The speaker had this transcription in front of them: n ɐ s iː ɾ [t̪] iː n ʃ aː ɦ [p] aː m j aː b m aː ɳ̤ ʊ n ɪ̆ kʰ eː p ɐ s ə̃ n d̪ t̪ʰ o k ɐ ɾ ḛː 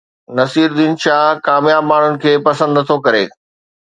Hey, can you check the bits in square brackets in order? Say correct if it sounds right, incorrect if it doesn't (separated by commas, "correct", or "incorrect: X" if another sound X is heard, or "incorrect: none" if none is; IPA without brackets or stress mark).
incorrect: d̪, incorrect: k